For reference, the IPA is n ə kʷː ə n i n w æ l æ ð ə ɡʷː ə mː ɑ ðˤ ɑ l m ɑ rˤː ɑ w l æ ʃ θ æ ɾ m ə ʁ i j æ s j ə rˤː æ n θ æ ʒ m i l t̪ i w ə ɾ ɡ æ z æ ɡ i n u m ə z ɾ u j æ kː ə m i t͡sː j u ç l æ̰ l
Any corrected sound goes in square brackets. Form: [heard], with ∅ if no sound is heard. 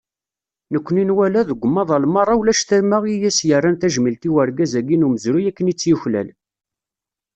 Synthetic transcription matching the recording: n ə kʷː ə n i n w æ l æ ð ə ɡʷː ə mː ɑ ðˤ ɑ l m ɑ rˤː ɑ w l æ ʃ θ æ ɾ m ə ʁ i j æ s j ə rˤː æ n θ æ ʒ m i l t̪ i w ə ɾ ɡ æ z æ ɡ i n u m ə z ɾ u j æ kː ə [n] i t͡sː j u ç l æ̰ l